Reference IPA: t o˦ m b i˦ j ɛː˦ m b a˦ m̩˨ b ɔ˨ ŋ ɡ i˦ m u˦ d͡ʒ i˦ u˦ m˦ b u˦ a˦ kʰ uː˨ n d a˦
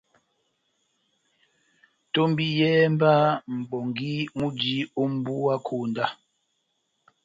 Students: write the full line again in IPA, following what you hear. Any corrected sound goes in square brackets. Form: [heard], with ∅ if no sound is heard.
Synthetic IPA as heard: t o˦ m b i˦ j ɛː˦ m b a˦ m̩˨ b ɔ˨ ŋ ɡ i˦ m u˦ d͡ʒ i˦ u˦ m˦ b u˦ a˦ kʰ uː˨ n d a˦